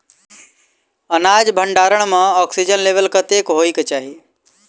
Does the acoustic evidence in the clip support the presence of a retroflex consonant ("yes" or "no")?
yes